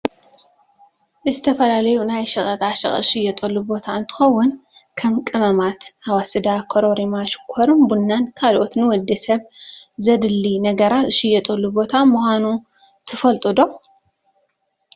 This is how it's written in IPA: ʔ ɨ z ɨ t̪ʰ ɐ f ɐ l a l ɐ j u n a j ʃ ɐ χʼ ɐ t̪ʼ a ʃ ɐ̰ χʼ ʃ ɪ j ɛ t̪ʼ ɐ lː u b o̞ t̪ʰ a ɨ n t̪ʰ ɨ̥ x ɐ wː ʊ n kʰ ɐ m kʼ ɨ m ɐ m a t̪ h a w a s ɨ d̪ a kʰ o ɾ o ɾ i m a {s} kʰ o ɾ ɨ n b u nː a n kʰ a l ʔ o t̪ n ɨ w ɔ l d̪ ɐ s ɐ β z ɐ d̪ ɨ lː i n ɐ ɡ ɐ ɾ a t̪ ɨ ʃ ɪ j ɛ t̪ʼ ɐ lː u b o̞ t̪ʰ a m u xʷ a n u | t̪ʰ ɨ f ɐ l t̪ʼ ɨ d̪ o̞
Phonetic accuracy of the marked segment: incorrect: ʃ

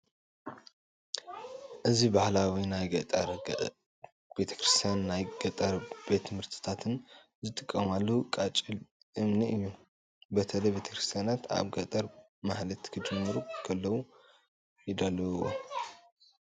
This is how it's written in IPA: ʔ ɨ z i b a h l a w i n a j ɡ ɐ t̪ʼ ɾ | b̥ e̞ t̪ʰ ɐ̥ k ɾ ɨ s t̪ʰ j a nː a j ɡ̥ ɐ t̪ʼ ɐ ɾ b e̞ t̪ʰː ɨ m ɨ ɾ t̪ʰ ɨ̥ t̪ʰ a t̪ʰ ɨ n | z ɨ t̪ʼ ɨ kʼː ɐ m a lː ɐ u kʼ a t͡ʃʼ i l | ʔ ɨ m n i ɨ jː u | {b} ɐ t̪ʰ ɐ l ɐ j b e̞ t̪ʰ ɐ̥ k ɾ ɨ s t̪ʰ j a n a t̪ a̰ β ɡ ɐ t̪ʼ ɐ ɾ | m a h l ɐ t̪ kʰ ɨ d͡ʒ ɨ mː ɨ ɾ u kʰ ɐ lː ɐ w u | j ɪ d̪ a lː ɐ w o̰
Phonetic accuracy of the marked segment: correct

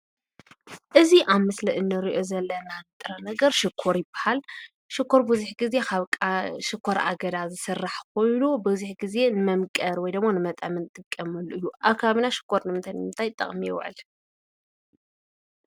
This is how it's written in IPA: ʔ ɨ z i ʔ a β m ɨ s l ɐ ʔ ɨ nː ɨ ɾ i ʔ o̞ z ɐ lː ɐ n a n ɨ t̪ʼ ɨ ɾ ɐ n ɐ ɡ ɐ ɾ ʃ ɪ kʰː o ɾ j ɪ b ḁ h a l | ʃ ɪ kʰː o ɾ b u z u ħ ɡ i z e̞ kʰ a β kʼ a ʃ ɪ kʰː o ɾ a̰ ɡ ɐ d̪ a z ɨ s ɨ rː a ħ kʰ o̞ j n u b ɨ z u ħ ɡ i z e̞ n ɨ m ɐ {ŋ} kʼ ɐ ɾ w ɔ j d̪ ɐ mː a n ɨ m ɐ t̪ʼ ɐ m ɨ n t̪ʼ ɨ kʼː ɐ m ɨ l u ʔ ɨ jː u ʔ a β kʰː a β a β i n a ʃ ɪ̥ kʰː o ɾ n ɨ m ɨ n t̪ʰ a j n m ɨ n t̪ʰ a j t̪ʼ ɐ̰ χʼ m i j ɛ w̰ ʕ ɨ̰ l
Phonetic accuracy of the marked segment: incorrect: m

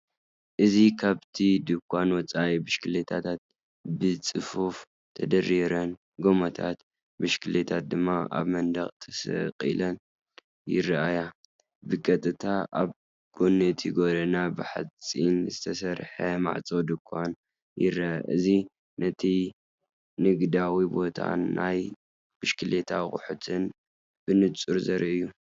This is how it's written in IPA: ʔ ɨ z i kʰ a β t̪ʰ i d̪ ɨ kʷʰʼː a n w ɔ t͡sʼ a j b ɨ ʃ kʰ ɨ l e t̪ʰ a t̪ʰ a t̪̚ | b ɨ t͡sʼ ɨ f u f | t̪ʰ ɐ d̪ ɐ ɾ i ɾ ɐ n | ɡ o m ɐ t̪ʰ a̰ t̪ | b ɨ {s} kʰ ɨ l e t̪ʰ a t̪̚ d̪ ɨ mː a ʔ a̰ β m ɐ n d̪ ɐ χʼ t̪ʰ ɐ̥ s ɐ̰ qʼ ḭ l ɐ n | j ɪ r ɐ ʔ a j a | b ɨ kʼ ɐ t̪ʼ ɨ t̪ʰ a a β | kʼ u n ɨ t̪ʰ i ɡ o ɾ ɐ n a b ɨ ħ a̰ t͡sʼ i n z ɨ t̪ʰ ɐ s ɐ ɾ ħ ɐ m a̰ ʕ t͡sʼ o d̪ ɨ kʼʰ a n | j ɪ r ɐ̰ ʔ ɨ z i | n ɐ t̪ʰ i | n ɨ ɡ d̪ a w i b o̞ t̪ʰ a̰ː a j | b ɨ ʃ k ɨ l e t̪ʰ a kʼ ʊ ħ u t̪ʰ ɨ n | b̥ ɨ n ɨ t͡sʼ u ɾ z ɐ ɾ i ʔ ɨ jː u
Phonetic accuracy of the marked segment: incorrect: ʃ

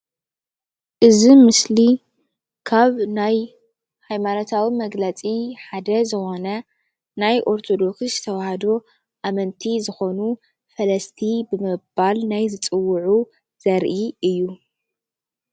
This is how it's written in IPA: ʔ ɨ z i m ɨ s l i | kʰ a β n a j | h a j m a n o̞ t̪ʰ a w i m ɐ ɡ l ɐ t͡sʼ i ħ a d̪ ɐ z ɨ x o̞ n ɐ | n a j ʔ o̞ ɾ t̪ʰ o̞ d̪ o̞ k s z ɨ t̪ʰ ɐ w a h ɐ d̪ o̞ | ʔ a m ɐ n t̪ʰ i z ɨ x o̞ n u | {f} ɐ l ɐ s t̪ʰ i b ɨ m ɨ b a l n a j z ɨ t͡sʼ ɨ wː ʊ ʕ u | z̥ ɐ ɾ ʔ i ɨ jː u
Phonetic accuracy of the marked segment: correct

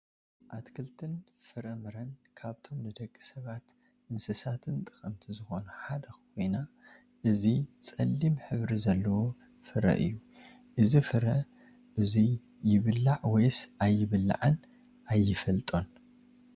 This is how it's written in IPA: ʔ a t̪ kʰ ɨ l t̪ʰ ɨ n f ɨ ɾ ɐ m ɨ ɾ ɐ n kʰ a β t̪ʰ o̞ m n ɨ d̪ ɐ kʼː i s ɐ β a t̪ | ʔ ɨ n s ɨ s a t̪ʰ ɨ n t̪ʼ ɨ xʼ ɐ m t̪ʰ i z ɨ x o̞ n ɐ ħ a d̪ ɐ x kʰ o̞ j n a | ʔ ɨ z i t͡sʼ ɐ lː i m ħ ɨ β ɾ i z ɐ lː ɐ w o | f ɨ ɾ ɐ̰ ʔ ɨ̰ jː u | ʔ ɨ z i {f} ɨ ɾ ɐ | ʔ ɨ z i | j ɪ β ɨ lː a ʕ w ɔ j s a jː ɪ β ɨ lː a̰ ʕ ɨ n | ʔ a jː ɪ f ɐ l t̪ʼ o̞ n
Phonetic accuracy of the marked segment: correct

